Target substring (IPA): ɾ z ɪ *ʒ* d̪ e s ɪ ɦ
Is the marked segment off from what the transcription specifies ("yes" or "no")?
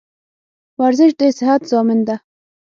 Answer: yes